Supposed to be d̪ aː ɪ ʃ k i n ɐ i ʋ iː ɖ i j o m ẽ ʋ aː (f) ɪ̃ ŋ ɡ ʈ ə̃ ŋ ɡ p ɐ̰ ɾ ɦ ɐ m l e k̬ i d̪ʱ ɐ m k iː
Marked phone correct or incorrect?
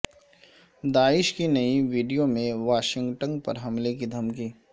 incorrect